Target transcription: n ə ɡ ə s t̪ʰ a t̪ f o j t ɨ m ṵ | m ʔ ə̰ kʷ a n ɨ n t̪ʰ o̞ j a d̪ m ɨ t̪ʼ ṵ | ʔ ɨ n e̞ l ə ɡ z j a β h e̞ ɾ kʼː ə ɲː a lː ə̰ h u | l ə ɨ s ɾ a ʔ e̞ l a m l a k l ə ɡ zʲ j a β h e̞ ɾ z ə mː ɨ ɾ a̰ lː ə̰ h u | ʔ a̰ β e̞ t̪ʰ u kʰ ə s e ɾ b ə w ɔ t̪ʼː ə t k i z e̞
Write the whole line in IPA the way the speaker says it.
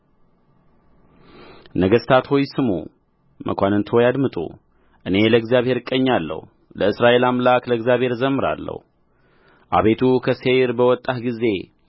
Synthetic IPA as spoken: n ə ɡ ə s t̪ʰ a t̪ h o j s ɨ m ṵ | m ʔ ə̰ kʷ a n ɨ n t̪ʰ o̞ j a d̪ m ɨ t̪ʼ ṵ | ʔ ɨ n e̞ l ə ɡ z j a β h e̞ ɾ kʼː ə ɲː a lː ə̰ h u | l ə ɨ s ɾ a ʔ e̞ l a m l a k l ə ɡ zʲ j a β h e̞ ɾ z ə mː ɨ ɾ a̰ lː ə̰ h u | ʔ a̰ β e̞ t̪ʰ u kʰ ə s e ɾ b ə w ɔ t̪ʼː a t ɡ i z e̞